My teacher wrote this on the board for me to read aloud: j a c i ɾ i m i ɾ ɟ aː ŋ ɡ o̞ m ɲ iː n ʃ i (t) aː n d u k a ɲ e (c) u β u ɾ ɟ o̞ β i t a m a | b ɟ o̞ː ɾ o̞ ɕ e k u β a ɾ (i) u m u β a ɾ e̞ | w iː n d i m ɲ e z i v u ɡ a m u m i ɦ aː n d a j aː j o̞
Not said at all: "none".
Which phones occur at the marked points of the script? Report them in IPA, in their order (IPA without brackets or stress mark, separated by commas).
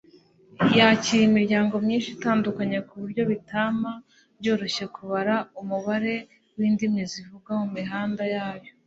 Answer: t, k, a